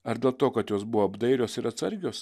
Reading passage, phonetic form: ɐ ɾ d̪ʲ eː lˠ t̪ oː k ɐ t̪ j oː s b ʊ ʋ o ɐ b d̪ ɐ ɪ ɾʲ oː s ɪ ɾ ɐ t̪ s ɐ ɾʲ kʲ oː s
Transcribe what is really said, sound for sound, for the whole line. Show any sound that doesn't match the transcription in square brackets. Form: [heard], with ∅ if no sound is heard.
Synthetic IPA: ɐ ɾ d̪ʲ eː lˠ t̪ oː k ɐ t̪ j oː s b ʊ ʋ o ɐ b d̪ ɐ ɪ ɾʲ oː s ɪ ɾ ɐ t̪ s ɐ ɾʲ [ɡʲ] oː s